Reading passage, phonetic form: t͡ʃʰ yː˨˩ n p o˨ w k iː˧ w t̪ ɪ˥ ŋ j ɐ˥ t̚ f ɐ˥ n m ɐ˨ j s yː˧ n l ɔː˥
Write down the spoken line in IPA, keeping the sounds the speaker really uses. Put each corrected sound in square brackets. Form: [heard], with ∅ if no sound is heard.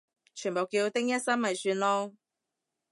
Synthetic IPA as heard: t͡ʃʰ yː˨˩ n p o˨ w k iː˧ w t̪ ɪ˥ ŋ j ɐ˥ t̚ [s] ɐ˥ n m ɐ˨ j s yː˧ n l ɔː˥